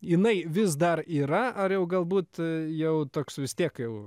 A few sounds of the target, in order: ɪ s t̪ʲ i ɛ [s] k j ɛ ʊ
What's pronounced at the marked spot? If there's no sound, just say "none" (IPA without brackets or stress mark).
none